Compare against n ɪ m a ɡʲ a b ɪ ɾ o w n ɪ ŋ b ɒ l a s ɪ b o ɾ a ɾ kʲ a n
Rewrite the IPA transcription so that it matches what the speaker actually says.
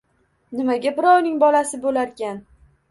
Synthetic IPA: n ɪ m a ɡʲ a b ɪ ɾ ɒ w n ɪ ŋ b ɒ l a s ɪ b o l a ɾ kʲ a n